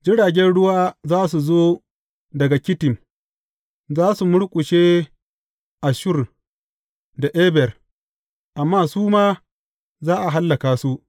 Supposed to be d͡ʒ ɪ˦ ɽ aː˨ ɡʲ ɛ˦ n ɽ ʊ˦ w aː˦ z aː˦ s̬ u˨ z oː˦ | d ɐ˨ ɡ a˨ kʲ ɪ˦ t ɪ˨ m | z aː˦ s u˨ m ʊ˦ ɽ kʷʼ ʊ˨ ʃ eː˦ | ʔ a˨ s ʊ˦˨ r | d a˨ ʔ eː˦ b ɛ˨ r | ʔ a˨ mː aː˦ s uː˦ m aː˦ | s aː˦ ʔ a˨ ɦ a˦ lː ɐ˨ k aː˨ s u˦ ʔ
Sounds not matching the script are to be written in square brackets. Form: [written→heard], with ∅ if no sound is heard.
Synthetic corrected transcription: d͡ʒ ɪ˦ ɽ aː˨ ɡʲ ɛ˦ n ɽ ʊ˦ w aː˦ z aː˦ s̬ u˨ z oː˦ | d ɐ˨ ɡ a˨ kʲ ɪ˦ t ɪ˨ m | z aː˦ s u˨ m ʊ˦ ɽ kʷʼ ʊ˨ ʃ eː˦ | ʔ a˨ [s→ʃ] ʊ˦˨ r | d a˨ ʔ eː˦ b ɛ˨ r | ʔ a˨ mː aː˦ s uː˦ m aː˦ | [s→z] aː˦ ʔ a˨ ɦ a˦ lː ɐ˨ k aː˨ s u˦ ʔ